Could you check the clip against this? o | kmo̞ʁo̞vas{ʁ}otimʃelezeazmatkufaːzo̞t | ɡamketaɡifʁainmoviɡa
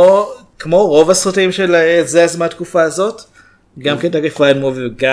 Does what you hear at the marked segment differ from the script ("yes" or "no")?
no